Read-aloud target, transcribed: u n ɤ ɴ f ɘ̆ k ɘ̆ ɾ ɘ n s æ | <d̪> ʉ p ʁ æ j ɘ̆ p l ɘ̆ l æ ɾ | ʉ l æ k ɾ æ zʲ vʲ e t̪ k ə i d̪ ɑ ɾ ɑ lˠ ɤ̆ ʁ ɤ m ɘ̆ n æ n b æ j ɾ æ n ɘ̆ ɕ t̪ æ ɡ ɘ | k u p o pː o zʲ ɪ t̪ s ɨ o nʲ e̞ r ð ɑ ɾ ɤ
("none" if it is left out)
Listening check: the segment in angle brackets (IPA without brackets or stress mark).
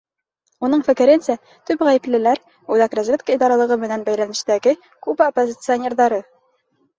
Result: t̪